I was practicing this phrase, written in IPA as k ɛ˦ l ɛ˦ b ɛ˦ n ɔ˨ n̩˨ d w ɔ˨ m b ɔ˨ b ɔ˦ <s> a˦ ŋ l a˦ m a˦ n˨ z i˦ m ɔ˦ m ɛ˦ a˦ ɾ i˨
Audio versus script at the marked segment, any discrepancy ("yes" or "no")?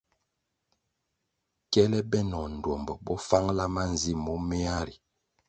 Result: yes